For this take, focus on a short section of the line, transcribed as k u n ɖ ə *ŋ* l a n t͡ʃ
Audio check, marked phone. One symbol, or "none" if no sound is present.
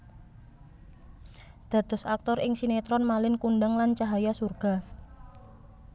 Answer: ŋ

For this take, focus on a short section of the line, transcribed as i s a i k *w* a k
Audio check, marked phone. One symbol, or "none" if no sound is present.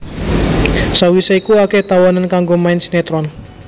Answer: u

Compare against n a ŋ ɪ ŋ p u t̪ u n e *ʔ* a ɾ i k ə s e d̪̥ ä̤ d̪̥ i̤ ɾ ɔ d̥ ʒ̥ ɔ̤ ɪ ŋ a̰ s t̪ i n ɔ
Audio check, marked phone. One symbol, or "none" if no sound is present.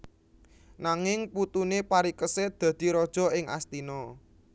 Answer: p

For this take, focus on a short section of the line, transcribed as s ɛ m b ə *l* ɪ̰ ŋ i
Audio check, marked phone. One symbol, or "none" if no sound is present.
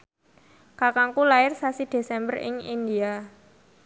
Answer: r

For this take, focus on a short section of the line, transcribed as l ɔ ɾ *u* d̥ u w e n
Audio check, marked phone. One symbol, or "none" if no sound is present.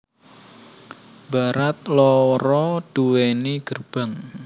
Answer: ɔ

